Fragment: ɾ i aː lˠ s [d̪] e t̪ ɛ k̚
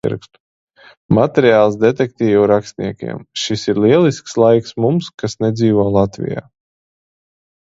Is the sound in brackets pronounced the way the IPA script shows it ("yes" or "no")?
yes